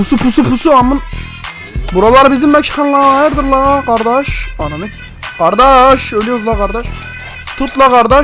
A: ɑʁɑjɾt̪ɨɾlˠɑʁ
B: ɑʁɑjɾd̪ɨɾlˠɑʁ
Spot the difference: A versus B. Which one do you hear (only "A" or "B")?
B